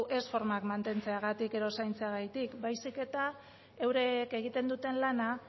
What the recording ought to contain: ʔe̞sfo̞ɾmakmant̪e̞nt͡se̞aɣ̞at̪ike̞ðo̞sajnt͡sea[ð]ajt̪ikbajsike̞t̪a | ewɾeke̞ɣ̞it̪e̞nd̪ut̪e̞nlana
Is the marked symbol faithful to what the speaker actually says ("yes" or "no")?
no